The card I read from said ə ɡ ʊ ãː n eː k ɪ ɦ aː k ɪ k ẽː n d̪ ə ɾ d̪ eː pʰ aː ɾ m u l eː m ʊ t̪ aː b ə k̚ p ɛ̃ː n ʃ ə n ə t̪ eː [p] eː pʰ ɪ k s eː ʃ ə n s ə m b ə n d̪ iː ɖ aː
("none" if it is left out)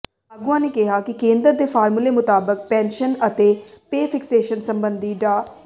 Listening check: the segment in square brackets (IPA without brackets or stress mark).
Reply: p